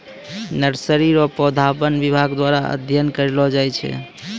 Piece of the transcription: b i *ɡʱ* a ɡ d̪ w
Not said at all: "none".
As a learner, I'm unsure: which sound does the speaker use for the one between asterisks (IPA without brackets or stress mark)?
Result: bʱ